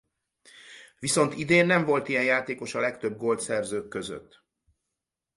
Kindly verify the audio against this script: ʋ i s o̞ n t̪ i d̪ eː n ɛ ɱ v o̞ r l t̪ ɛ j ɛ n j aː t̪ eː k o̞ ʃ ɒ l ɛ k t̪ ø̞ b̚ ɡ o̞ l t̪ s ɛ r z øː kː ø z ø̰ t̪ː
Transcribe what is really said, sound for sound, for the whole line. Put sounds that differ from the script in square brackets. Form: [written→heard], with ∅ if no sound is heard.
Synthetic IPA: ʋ i s o̞ n t̪ i d̪ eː [n→nː] ɛ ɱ v o̞ [r→∅] l t̪ [ɛ→i] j ɛ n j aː t̪ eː k o̞ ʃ ɒ l ɛ k t̪ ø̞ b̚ ɡ o̞ l t̪ s ɛ r z øː kː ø z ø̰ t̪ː